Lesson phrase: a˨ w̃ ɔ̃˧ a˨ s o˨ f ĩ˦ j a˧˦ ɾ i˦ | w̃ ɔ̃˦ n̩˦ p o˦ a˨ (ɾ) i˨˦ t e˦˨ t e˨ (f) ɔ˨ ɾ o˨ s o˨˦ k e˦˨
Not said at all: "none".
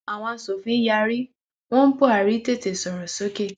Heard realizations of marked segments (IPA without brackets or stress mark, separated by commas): ɾ, s